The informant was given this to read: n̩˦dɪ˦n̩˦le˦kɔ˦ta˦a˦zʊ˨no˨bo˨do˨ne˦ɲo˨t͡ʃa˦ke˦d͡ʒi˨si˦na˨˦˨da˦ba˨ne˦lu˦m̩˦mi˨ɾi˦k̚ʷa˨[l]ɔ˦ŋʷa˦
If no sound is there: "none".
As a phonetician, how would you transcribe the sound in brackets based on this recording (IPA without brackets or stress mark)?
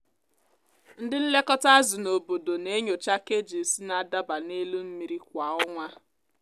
none